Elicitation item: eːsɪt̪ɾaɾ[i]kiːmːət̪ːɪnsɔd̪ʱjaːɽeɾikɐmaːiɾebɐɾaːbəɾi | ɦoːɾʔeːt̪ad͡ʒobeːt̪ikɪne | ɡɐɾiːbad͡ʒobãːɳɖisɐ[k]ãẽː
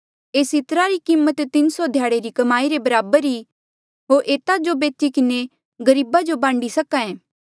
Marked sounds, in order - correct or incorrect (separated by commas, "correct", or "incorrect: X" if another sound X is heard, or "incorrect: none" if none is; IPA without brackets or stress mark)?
correct, correct